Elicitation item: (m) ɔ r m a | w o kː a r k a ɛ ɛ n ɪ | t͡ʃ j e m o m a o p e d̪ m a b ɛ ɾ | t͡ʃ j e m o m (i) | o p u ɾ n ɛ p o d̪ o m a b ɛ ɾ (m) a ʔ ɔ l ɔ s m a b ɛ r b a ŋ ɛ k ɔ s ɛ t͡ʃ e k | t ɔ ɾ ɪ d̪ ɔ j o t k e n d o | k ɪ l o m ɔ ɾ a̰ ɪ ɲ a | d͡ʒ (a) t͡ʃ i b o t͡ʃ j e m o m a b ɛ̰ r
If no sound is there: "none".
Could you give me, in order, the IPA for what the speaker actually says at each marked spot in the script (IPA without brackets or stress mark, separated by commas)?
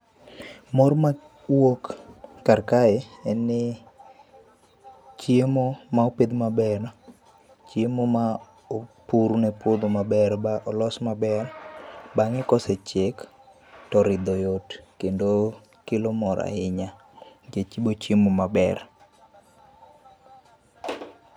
m, a, b, e